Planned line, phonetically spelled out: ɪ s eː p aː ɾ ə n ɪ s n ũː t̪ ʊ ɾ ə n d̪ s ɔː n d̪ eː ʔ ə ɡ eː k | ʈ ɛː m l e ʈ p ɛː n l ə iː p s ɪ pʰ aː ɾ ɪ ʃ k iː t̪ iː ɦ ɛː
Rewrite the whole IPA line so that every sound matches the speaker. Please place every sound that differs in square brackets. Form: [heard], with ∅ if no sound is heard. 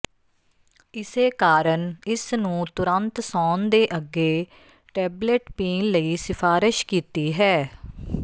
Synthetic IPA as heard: ɪ s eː [k] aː ɾ ə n ɪ s n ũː t̪ ʊ ɾ ə n [t̪] s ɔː n d̪ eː ʔ ə ɡ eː [∅] | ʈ ɛː [b] l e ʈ p [iː] n l ə iː [∅] s ɪ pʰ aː ɾ ɪ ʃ k iː t̪ iː ɦ ɛː